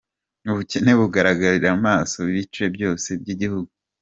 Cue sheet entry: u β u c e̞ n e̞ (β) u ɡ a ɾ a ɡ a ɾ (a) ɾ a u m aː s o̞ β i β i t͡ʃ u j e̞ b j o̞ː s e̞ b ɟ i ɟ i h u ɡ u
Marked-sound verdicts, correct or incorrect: correct, incorrect: i

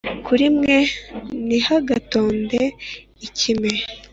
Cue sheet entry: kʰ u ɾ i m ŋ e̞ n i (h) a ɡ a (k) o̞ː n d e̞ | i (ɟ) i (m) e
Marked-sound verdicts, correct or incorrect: correct, incorrect: t, incorrect: c, correct

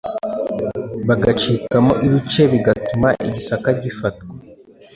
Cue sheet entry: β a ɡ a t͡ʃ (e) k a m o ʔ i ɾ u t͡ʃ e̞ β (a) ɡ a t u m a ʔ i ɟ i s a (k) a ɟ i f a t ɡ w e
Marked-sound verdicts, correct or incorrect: incorrect: i, incorrect: i, correct

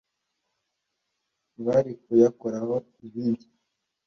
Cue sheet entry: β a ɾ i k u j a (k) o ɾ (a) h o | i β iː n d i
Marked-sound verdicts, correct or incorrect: correct, correct

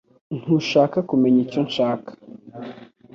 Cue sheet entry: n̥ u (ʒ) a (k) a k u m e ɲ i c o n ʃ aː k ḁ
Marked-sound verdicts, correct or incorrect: incorrect: ʃ, correct

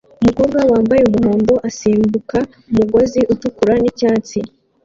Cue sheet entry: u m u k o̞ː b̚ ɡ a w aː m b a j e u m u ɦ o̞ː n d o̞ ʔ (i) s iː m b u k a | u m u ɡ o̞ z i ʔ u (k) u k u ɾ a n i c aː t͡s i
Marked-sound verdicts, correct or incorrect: incorrect: a, incorrect: t

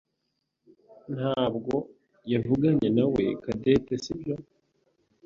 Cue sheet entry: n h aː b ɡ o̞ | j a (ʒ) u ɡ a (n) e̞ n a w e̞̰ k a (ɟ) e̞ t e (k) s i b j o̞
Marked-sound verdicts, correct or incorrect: incorrect: v, incorrect: ɲ, incorrect: d, incorrect: none

